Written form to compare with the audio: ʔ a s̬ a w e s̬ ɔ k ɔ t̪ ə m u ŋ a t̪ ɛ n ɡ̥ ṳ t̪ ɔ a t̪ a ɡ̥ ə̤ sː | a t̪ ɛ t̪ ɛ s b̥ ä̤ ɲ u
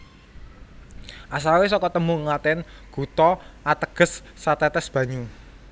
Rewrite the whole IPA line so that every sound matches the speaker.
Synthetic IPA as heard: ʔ a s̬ a w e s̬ ɔ k ɔ t̪ ə m u ŋ a t̪ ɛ n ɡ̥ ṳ t̪ ɔ a t̪ ə ɡ̥ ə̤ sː | a t̪ ɛ t̪ ɛ s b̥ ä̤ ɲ u